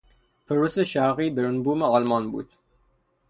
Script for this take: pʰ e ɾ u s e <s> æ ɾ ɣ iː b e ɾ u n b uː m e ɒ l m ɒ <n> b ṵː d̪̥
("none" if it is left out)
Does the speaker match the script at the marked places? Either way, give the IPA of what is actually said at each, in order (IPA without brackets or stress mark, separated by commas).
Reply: ʃ, n